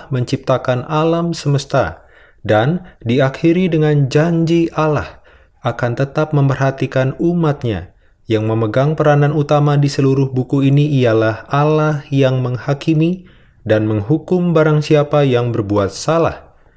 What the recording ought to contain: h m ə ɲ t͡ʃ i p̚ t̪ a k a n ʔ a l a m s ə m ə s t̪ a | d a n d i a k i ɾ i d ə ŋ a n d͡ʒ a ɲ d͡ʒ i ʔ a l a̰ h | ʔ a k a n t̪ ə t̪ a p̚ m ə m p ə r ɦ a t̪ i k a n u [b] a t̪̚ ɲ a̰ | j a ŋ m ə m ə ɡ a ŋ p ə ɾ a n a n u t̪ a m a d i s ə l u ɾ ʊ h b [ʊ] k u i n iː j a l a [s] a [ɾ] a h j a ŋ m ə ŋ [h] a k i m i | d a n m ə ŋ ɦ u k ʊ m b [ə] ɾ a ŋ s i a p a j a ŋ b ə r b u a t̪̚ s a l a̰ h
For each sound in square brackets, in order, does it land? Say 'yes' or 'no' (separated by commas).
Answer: no, no, no, no, yes, no